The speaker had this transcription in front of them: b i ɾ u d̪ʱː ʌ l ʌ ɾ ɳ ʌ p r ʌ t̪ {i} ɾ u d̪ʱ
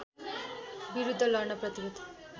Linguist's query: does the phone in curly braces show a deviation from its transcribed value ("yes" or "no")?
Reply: no